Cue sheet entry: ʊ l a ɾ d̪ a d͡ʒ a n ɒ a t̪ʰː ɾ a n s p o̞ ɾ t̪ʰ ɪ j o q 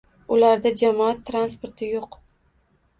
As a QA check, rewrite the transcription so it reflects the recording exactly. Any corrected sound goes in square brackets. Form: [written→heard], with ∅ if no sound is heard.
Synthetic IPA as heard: ʊ l a ɾ d̪ a d͡ʒ a [n→m] ɒ a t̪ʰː ɾ a n s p o̞ ɾ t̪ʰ ɪ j o q